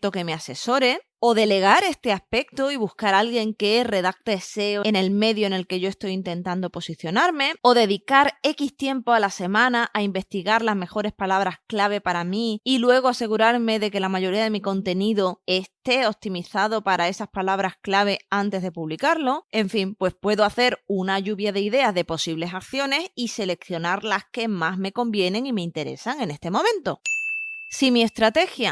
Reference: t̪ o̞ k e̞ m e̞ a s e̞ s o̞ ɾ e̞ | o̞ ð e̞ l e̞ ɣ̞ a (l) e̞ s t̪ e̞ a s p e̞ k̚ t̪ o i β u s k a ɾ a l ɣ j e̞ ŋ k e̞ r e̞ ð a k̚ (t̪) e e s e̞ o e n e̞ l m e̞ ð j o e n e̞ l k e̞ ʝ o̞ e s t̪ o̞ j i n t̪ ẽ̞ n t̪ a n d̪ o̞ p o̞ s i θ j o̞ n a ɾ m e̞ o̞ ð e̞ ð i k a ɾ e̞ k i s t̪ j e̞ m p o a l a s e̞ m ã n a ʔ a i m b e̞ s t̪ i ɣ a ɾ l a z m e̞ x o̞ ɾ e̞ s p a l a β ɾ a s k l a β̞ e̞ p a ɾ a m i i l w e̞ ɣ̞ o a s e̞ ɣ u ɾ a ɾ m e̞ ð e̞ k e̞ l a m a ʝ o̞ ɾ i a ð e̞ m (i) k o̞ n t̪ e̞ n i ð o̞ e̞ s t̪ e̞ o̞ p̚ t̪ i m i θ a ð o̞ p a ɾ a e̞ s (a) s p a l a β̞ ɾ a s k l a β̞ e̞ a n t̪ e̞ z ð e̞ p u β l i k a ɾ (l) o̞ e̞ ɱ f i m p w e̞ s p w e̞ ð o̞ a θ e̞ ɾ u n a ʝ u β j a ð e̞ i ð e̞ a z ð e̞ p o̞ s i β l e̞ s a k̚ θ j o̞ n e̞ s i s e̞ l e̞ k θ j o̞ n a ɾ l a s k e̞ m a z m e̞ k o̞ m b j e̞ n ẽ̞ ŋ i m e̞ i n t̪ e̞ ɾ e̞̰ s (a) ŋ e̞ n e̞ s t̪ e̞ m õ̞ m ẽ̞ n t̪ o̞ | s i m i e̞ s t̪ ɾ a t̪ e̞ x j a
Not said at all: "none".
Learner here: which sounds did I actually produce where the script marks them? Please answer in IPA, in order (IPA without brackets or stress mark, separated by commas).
ɾ, t̪, i, a, l, a